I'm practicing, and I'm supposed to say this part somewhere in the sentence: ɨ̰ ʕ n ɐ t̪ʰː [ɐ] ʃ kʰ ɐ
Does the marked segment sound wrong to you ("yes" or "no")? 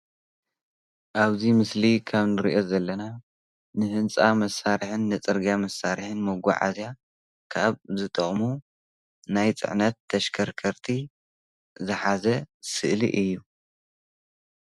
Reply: no